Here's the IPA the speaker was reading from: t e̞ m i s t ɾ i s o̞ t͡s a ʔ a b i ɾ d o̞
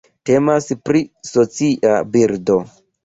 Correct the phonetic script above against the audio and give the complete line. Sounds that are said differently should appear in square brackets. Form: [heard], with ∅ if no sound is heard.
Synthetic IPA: t e̞ m [a] s [p] ɾ i s o̞ t͡s [i] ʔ a b i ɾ d o̞